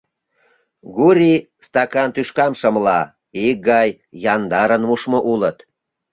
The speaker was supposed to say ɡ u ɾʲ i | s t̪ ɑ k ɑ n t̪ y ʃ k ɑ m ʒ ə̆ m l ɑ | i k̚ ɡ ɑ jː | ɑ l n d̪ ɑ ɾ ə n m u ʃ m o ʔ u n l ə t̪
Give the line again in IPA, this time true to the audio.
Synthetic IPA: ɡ u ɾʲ i | s t̪ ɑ k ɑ n t̪ y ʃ k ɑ m ʃ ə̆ m l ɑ | i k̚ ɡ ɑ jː | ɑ n d̪ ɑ ɾ ə n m u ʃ m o ʔ u l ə t̪